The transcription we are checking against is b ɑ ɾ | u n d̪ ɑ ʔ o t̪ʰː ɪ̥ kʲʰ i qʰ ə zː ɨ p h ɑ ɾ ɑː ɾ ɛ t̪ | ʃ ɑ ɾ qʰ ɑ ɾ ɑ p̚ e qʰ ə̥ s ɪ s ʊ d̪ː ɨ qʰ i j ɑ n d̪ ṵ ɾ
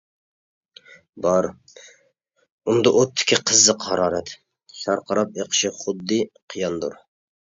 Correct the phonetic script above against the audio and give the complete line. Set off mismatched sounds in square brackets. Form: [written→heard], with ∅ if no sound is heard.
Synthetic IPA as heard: b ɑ ɾ | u n d̪ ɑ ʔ o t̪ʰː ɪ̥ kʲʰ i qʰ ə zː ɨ [p→q] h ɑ ɾ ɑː ɾ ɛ t̪ | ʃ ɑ ɾ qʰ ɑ ɾ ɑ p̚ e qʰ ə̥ [s→ʃ] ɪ [s→χ] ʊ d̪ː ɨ qʰ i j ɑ n d̪ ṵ ɾ